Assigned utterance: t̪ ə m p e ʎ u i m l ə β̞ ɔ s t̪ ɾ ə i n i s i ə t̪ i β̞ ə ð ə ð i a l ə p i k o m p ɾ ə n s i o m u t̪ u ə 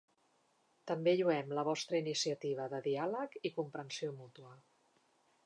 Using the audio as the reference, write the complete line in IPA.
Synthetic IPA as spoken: t̪ ə m b e ʎ u ɛ m l ə β̞ ɔ s t̪ ɾ ə i n i s i ə t̪ i β̞ ə ð ə ð i a l ə k i k u m p ɾ ə n s i o m u t̪ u ə